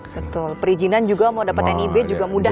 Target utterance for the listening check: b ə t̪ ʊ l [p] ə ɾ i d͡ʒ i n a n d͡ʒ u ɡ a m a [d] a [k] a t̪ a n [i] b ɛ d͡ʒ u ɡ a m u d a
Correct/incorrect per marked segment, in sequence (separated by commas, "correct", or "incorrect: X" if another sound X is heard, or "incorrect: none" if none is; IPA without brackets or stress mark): correct, correct, incorrect: p, correct